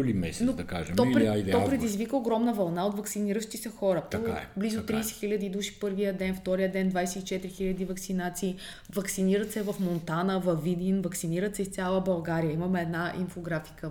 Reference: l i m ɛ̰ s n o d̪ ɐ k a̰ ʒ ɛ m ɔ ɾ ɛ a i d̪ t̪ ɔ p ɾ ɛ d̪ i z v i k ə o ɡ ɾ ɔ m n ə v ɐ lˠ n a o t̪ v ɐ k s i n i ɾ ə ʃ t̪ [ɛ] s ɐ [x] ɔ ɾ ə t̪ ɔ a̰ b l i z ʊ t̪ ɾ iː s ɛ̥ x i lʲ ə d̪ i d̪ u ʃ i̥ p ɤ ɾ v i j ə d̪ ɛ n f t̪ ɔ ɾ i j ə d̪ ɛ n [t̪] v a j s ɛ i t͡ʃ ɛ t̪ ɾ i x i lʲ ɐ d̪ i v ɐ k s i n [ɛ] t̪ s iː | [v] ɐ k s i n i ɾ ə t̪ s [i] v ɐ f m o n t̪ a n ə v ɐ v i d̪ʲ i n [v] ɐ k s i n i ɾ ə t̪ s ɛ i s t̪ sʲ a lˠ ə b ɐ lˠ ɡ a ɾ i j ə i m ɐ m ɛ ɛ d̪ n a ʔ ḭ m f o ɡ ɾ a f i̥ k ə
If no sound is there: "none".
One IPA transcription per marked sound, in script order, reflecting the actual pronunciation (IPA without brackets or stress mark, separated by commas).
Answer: i, x, d̪, a, v, ɛ, v